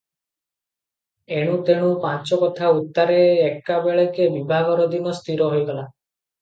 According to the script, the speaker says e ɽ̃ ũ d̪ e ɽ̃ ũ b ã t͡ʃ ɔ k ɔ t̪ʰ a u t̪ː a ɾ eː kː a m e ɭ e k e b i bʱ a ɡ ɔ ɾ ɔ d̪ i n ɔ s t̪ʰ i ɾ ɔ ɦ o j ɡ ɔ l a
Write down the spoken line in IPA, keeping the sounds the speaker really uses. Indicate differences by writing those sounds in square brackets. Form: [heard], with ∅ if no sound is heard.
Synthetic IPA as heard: e ɽ̃ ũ [t̪] e ɽ̃ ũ [p] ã t͡ʃ ɔ k ɔ t̪ʰ a u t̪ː a ɾ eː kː a [b] e ɭ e k e b i bʱ a ɡ ɔ ɾ ɔ d̪ i n ɔ s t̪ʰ i ɾ ɔ ɦ o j ɡ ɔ l a